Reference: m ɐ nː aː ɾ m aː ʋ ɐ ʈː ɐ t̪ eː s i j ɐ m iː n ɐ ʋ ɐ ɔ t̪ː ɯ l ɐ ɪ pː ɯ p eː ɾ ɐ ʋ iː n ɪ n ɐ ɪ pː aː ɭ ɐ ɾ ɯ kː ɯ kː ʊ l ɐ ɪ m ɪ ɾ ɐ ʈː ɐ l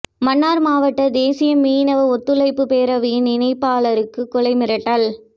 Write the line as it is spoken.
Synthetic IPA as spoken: m ɐ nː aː ɾ m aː ʋ ɐ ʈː ɐ d̪ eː s ɪ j ɐ m iː n ɐ ʋ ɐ ɔ t̪ː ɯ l ɐ ɪ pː ɯ p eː ɾ ɐ ʋ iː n ɪ n ɐ ɪ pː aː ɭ ɐ ɾ ɯ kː ɯ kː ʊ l ɐ ɪ m ɪ ɾ ɐ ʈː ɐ l

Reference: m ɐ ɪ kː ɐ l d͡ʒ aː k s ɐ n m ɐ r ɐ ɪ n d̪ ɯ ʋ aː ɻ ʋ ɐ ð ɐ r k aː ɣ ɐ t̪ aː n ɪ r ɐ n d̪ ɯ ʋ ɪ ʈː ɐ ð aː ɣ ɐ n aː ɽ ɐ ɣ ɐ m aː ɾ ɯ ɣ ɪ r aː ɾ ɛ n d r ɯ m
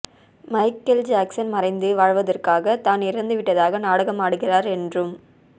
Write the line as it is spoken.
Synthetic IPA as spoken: m ɐ ɪ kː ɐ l d͡ʒ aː k s ɐ n m ɐ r ɐ ɪ n d̪ ɯ ʋ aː ɻ ʋ ɐ ð ɐ r k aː ɣ ɐ t̪ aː n ɪ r ɐ n d̪ ɯ ʋ ɪ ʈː ɐ ð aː ɣ ɐ n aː ɽ ɐ ɣ ɐ m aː ɽ ɯ ɣ ɪ r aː ɾ ɛ n d r ɯ m

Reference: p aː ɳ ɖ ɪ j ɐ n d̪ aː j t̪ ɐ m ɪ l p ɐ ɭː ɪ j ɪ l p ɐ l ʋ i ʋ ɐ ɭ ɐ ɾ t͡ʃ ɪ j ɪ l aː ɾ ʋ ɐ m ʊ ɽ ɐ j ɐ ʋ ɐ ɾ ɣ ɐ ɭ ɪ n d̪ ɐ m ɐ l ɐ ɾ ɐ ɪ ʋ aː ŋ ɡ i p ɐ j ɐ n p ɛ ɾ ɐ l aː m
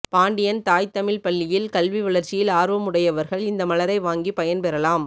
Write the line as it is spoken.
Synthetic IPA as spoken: p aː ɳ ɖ ɪ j ɐ n t̪ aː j t̪ ɐ m ɪ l p ɐ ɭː ɪ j ɪ l k ɐ l ʋ i ʋ ɐ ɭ ɐ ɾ t͡ʃ ɪ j ɪ l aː ɾ ʋ ɐ m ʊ ɽ ɐ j ɐ ʋ ɐ ɾ ɣ ɐ ɭ ɪ n d̪ ɐ m ɐ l ɐ ɾ ɐ ɪ ʋ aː ŋ ɡ i p ɐ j ɐ n p ɛ ɾ ɐ l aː m

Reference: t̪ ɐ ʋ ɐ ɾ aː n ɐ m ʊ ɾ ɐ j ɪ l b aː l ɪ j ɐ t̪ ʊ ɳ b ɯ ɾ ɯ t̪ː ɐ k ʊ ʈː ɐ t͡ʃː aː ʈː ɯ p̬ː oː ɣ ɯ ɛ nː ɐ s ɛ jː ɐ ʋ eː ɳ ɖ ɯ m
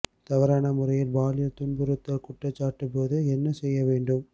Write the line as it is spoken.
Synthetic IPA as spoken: t̪ ɐ ʋ ɐ ɾ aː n ɐ m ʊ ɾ ɐ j ɪ l b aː l ɪ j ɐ t̪ ʊ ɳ b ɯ ɾ ɯ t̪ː ɐ k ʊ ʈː ɐ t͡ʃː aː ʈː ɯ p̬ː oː ð ɯ ɛ nː ɐ s ɛ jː ɐ ʋ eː ɳ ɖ ɯ m

